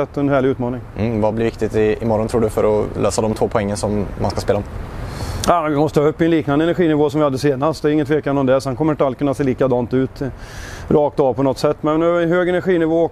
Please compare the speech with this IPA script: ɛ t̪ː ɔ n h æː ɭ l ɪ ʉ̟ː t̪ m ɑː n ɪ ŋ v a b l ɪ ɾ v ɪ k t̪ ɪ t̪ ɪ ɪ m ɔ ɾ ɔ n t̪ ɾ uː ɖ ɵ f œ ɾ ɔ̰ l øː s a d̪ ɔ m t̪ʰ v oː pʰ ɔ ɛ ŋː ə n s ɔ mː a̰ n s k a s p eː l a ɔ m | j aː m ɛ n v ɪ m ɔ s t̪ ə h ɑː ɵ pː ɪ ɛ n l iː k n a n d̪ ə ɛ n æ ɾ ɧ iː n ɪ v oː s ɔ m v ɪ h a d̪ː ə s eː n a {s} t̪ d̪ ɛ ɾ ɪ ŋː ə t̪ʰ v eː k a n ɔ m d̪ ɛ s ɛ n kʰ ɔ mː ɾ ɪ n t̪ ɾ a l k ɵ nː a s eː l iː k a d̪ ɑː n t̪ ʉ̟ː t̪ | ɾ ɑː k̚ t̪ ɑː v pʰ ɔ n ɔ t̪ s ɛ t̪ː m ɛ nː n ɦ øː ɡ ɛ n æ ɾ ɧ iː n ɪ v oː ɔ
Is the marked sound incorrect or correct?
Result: correct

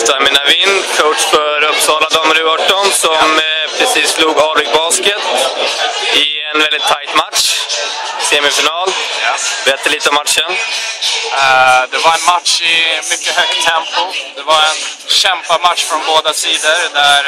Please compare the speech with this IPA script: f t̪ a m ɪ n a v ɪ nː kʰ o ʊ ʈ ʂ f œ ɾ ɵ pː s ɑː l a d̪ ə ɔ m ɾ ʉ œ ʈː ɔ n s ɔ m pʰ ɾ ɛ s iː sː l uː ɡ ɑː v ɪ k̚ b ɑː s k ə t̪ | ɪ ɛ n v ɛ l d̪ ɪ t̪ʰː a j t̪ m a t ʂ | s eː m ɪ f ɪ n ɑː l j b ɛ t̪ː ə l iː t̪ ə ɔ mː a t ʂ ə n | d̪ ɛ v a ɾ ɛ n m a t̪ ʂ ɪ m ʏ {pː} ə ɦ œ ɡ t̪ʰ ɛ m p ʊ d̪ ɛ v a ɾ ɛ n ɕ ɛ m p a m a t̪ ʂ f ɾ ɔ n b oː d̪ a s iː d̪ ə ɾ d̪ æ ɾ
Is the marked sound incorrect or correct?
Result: incorrect: kː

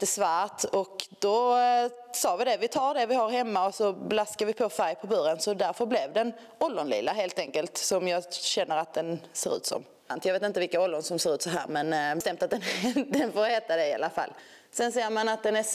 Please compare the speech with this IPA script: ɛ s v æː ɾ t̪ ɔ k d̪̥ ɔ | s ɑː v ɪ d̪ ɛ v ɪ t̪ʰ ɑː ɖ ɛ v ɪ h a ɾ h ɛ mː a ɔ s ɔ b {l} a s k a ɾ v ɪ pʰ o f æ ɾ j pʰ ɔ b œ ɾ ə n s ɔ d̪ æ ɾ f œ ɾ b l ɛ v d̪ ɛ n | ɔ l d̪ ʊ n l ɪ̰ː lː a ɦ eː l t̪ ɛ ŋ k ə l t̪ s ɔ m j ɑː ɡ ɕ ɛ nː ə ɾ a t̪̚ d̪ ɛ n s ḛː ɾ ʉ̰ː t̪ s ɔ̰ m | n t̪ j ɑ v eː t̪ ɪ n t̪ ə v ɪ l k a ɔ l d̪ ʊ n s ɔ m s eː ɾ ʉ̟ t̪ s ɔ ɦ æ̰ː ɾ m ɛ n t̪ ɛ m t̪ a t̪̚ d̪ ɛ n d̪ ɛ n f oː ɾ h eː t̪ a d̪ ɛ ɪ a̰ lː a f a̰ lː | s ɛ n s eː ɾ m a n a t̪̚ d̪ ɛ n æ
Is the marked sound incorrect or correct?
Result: correct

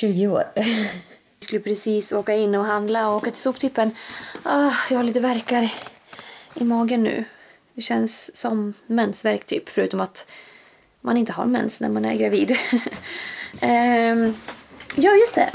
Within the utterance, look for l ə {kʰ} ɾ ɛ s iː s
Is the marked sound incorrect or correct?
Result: incorrect: pʰ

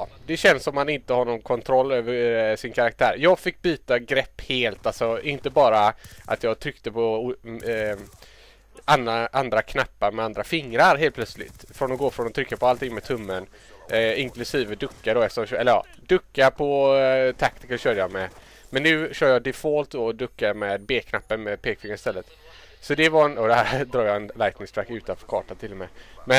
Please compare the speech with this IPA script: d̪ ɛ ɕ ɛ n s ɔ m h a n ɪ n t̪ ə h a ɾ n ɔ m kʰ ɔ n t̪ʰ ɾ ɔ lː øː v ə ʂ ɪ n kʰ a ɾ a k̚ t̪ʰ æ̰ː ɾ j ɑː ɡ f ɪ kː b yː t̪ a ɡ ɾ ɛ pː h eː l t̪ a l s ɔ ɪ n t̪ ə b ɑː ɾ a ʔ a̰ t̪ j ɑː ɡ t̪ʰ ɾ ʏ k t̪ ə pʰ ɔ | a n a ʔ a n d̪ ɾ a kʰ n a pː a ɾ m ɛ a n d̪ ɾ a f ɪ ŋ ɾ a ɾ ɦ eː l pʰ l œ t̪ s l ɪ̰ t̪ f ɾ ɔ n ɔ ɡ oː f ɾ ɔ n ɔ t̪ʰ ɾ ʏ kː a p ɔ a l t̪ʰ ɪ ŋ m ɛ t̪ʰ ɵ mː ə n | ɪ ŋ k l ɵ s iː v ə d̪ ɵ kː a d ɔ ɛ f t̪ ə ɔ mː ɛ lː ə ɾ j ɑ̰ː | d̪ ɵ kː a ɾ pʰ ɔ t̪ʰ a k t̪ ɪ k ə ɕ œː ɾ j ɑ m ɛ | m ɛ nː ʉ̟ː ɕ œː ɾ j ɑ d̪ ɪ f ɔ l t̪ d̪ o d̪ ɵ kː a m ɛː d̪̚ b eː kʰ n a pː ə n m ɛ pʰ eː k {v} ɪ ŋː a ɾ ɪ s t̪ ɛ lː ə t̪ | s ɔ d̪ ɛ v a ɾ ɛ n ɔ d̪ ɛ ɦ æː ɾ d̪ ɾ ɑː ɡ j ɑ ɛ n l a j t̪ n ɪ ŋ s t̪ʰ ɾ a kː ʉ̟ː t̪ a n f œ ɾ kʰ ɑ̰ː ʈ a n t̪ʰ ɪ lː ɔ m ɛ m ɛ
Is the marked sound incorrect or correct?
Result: incorrect: f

